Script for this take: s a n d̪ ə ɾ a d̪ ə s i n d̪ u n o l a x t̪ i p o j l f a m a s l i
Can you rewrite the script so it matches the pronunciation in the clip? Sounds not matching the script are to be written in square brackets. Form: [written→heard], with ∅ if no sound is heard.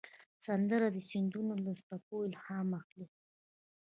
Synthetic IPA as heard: s a n d̪ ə ɾ a d̪ ə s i n d̪ u n o l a [x→s] t̪ [i→a] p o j l [f→h] a m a [s→x] l i